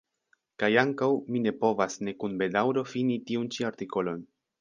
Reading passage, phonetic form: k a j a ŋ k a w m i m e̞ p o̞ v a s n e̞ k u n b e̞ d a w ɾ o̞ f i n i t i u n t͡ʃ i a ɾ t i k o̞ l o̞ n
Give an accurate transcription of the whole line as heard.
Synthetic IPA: k a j a ŋ k a w m i n e̞ p o̞ v a s n e̞ k u n b e̞ d a w ɾ o̞ f i n i t i u n t͡ʃ i a ɾ t i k o̞ l o̞ n